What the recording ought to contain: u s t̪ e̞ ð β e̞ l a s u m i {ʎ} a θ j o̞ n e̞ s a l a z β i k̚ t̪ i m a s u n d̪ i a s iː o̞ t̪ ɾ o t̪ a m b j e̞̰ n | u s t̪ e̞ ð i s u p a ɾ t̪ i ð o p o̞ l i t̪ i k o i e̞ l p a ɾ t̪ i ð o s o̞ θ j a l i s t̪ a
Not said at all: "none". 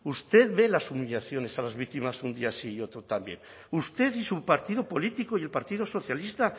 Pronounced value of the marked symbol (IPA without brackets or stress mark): ʎ